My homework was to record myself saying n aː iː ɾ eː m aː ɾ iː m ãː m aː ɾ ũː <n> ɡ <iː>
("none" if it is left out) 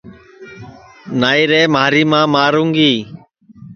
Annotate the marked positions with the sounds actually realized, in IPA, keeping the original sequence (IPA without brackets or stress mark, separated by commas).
ŋ, iː